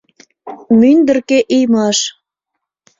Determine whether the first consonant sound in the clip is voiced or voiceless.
voiced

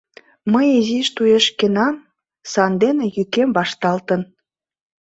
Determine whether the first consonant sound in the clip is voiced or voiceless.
voiced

